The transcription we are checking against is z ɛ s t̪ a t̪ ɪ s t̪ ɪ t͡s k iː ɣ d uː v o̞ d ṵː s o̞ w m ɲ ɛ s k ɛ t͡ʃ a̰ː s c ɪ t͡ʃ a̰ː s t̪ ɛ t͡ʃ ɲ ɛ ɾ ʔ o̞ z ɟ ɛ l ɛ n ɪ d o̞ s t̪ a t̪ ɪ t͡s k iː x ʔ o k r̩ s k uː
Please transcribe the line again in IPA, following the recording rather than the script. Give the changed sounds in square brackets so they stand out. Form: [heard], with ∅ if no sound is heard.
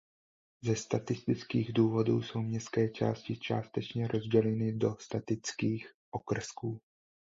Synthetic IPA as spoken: z ɛ s t̪ a t̪ ɪ s t̪ ɪ t͡s k iː ɣ d uː v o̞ d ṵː s o̞ w m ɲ ɛ s k [ɛː] t͡ʃ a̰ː s c ɪ t͡ʃ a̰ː s t̪ ɛ t͡ʃ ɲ ɛ ɾ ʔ o̞ z ɟ ɛ l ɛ n ɪ d o̞ s t̪ a t̪ ɪ t͡s k iː x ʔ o k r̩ s k uː